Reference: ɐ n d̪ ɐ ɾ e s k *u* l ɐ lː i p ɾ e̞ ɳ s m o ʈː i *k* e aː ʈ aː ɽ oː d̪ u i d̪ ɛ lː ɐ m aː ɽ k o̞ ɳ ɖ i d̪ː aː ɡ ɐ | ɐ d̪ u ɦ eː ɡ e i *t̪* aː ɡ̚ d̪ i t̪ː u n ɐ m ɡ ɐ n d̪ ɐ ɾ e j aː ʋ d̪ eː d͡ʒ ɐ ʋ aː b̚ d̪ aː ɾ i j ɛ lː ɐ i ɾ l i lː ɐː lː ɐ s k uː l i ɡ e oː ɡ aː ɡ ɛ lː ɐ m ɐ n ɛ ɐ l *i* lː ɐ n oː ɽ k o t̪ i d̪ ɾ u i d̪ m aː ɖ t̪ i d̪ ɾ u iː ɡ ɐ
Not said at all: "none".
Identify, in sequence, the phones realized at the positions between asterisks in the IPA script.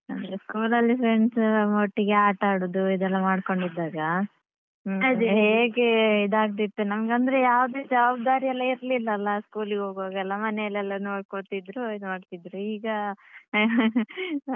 uː, ɡ, d̪, ɛ

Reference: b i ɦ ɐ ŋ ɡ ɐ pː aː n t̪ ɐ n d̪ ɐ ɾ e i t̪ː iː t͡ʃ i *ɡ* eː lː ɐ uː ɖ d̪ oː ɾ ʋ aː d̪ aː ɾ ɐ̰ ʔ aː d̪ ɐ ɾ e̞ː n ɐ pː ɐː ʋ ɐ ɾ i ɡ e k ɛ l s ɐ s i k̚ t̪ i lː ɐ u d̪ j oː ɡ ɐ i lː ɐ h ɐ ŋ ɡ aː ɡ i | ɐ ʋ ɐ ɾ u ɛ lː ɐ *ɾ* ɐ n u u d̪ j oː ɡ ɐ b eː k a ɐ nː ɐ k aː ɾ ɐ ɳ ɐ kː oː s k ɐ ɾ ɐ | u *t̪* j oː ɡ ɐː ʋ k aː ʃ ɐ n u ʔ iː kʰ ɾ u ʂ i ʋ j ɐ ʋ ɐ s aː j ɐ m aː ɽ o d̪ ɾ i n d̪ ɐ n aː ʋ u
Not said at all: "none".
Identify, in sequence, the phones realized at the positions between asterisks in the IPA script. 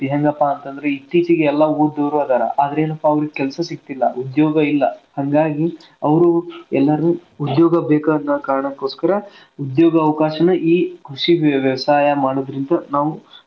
ɡ, ɾ, d̪

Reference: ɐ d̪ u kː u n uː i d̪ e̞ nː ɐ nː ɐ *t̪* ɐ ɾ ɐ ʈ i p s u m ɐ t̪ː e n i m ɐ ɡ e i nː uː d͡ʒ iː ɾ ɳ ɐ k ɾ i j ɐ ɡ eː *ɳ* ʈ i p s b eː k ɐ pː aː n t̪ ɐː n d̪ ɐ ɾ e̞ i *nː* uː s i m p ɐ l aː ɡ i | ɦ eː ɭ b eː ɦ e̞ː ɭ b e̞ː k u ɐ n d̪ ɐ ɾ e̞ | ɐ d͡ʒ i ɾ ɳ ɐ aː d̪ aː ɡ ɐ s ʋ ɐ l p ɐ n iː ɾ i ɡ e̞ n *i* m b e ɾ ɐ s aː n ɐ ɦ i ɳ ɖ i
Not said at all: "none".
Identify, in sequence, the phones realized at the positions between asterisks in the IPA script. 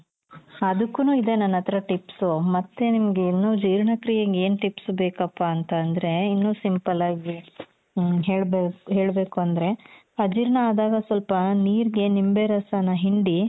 t̪, n, nː, i

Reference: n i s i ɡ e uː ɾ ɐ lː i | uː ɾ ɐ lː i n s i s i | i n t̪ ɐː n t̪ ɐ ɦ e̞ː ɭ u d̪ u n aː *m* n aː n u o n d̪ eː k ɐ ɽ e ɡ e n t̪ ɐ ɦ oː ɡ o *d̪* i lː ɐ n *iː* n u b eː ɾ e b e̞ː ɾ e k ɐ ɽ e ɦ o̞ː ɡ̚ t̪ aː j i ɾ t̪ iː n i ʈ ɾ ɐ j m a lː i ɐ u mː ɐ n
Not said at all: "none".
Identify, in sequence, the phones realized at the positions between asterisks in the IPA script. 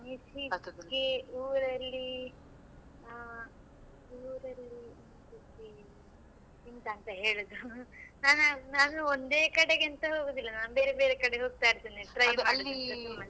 n, d̪, aː

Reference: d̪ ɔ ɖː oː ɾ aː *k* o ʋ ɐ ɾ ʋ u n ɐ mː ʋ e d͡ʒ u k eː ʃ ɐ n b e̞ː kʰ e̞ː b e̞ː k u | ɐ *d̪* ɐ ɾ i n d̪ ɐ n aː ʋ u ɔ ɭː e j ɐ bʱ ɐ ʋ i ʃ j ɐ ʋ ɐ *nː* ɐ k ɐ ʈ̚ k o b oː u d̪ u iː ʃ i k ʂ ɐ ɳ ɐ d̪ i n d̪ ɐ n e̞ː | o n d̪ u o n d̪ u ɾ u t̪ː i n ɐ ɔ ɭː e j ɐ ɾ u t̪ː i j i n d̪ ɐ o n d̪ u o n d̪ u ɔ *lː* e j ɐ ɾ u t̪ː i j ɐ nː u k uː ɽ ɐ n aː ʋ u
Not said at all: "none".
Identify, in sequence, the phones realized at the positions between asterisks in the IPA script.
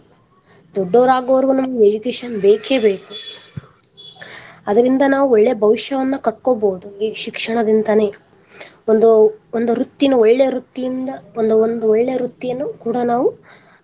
ɡ, d̪, nː, ɭː

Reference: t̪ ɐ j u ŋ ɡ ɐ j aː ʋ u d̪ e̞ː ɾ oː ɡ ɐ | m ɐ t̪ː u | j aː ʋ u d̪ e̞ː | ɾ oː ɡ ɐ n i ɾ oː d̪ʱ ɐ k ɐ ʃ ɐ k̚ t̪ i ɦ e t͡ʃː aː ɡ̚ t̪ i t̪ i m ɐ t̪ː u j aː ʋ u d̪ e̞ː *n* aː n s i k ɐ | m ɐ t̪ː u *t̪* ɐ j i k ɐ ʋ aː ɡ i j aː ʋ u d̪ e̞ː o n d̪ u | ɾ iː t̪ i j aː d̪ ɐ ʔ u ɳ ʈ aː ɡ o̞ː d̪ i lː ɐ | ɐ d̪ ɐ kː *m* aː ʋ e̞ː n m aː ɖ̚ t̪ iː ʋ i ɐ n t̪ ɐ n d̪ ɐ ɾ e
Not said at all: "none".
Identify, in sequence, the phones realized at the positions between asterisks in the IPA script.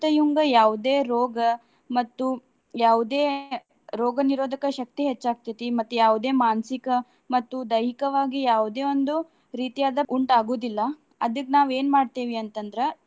m, d̪, n

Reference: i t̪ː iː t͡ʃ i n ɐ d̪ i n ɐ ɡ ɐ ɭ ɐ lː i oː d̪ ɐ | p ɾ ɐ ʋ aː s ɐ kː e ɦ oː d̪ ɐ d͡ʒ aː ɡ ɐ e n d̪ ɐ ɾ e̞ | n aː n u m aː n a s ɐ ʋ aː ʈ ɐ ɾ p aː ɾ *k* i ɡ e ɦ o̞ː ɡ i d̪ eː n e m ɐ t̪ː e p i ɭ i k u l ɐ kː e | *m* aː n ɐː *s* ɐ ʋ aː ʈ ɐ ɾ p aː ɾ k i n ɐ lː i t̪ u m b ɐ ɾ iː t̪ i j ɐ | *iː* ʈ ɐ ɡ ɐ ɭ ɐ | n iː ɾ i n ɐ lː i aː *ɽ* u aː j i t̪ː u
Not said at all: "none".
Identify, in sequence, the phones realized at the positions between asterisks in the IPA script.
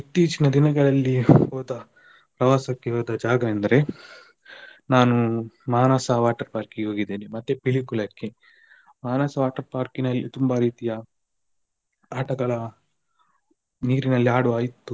k, m, s, aː, ɽ

